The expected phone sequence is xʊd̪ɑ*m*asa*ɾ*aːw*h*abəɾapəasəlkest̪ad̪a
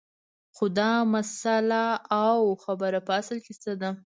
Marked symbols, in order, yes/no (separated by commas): yes, no, no